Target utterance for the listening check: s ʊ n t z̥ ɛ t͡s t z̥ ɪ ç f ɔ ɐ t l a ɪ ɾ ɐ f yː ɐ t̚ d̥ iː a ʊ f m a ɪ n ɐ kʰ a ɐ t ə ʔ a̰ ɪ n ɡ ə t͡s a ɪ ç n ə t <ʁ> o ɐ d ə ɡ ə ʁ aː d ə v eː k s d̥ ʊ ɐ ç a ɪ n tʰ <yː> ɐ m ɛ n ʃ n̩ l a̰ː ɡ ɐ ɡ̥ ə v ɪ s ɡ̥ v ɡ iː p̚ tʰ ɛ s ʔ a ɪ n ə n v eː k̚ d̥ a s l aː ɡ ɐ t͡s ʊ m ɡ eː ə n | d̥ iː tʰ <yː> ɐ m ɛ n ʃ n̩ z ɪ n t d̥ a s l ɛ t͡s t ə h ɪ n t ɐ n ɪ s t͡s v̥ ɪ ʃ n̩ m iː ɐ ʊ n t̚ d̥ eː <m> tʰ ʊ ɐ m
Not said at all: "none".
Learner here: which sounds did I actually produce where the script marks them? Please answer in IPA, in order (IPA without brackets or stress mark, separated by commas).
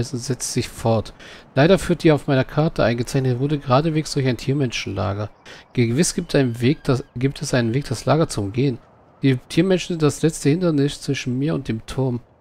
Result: v, iː, iː, m